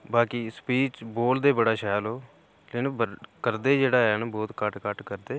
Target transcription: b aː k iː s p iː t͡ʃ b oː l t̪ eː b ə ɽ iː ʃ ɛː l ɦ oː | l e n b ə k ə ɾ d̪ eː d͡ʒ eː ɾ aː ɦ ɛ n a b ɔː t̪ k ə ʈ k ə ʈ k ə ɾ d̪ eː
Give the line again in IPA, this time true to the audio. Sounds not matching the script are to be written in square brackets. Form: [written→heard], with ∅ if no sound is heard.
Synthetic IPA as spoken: b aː k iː s p iː t͡ʃ b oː l [t̪→d̪] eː b ə ɽ [iː→aː] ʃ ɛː l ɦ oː | l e n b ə k ə ɾ d̪ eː d͡ʒ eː [ɾ→ɽ] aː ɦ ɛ n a b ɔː t̪ k ə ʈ k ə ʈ k ə ɾ d̪ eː